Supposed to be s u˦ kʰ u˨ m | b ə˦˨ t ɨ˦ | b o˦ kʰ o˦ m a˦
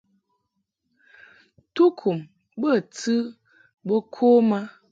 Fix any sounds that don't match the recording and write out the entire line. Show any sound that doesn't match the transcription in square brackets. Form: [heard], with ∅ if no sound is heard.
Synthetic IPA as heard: [t] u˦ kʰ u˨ m | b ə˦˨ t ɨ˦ | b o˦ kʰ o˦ m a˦